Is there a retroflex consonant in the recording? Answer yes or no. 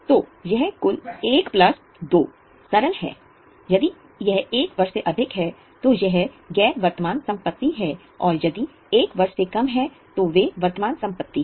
no